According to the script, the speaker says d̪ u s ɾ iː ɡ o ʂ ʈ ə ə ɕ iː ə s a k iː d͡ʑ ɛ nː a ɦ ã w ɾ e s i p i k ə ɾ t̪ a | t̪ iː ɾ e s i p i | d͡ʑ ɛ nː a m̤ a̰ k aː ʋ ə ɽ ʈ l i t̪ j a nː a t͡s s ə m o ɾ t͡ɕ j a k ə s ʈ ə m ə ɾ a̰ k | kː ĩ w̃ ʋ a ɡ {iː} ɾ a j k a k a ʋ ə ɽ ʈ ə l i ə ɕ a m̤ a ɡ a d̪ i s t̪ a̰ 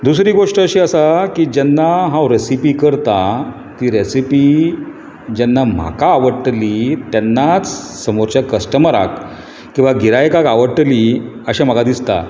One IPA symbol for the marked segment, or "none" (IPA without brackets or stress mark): i